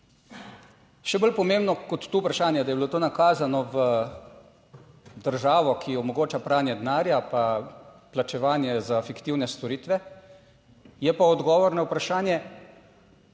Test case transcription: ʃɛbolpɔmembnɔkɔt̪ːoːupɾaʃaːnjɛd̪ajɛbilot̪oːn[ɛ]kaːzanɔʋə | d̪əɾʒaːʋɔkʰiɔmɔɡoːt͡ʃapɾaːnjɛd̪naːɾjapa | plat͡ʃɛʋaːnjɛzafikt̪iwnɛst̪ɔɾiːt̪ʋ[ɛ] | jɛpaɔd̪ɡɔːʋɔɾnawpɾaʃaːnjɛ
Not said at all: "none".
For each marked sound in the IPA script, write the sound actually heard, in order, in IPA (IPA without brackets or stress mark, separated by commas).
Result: a, ɛ